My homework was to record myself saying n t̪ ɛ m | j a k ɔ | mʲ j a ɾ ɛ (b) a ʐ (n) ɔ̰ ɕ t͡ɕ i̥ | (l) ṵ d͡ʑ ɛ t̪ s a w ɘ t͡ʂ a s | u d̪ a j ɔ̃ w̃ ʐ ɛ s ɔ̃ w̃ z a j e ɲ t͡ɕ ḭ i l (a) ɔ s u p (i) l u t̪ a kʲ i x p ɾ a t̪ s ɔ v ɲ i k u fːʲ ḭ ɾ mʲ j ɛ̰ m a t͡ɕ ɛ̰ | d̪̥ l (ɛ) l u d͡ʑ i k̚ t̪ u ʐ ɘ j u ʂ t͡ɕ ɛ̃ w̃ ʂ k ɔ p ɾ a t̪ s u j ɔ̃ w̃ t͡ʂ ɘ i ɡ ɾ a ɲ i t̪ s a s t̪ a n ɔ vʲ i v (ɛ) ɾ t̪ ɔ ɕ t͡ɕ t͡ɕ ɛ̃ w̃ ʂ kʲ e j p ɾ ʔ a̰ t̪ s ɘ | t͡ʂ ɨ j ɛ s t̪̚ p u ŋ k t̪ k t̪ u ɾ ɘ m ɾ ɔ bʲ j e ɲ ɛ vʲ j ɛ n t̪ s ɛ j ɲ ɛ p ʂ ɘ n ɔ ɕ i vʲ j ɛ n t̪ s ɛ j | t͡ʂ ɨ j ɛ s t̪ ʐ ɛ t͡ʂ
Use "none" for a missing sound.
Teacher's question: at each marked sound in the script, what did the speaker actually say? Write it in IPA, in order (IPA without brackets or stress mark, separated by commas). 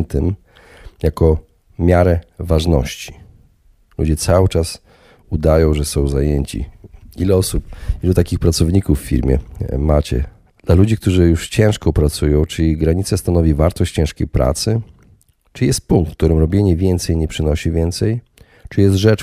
v, n, l, ɛ, i, a, a